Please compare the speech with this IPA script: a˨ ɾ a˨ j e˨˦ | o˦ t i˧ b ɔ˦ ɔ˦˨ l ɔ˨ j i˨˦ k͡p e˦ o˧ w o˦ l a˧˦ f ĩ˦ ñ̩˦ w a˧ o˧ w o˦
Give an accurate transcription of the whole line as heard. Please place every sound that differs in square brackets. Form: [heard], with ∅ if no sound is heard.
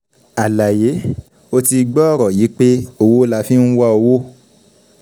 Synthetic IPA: a˨ [l] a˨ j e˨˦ | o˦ t i˧ [ɡ͡b] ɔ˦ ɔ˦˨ [ɾ] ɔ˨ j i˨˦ k͡p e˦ o˧ w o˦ l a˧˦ f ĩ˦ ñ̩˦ w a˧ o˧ w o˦